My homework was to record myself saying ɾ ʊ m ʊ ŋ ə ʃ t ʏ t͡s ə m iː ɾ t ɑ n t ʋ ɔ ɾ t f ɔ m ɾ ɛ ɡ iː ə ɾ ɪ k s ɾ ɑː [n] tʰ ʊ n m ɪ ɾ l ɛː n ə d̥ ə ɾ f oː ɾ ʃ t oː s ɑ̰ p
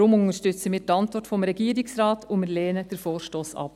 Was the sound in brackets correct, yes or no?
no